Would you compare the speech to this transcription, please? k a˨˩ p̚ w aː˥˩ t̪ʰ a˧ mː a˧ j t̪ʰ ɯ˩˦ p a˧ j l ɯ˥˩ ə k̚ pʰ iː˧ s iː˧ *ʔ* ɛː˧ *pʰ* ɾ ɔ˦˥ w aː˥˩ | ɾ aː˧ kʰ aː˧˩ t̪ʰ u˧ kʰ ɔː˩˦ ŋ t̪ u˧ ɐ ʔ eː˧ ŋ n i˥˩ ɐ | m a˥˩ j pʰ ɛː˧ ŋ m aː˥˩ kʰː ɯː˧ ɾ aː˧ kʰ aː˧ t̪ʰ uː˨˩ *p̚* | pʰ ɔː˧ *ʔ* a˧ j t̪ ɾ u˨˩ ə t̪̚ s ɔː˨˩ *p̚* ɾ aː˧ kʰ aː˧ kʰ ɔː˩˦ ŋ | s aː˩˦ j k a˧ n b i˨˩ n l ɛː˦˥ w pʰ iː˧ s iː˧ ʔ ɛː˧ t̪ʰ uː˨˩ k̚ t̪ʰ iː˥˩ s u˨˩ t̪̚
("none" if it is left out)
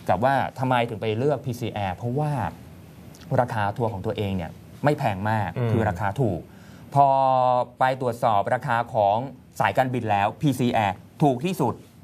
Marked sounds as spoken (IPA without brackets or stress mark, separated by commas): ʔ, pʰ, k̚, p, p̚